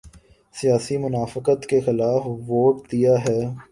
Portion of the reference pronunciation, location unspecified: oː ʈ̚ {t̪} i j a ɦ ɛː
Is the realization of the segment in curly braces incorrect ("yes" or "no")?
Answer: yes